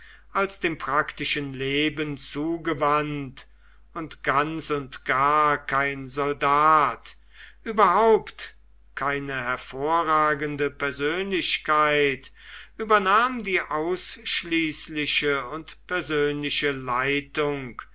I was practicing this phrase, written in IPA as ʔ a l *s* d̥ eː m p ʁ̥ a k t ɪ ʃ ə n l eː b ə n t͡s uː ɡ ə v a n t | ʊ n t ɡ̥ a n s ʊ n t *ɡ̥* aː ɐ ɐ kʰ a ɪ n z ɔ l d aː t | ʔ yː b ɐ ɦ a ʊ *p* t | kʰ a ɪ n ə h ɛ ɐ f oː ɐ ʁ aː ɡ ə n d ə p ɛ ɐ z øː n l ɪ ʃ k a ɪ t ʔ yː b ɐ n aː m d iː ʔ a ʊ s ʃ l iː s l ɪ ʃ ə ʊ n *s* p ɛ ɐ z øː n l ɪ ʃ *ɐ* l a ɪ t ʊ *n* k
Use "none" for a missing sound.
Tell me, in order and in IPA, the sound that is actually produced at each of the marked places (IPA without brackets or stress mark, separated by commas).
s, ɡ̥, p, t, ə, ŋ